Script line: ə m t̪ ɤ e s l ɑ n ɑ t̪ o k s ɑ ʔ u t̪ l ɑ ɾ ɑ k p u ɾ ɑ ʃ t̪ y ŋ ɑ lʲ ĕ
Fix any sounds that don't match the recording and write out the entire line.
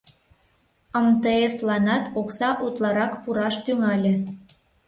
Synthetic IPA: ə m t̪ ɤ e s l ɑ n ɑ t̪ o k s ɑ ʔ u t̪ l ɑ ɾ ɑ k p u ɾ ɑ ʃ t̪ y ŋ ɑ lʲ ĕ